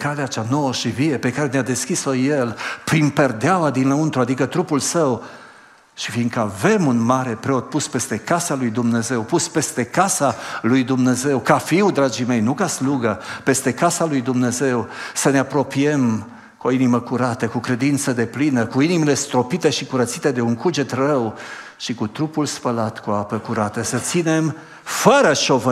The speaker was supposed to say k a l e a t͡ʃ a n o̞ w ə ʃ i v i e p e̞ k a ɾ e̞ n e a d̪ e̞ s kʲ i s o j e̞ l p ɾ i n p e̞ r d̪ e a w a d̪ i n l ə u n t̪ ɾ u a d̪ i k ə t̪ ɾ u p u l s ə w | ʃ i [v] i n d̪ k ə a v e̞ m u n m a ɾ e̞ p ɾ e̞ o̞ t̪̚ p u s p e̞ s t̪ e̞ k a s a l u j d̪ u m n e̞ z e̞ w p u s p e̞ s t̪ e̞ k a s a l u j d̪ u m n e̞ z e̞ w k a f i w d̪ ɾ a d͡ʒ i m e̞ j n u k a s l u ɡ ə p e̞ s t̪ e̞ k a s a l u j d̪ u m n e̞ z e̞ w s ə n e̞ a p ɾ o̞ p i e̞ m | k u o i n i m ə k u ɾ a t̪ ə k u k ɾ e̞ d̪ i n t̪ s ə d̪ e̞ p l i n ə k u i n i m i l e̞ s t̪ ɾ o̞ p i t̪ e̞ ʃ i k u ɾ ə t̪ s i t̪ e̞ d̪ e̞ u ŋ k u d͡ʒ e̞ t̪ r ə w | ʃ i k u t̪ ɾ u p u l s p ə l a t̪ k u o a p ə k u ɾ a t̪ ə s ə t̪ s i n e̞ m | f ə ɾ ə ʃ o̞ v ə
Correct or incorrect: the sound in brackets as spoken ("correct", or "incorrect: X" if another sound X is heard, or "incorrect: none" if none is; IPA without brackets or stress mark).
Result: incorrect: f